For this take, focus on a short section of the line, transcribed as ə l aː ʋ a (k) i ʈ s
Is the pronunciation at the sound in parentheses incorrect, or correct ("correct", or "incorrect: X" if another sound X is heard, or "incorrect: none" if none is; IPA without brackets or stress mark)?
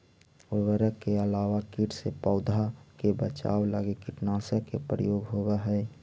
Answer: correct